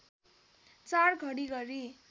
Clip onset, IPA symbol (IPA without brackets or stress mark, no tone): t͡s